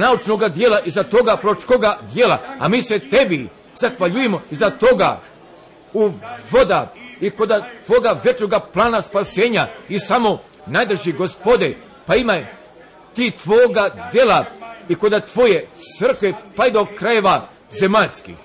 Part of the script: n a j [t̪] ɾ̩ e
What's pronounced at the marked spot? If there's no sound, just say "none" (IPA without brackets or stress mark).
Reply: d̪